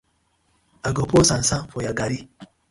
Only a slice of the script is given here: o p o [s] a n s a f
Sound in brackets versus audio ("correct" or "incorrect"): correct